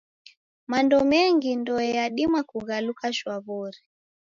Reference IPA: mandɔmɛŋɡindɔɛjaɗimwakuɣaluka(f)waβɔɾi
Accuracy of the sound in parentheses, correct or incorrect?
incorrect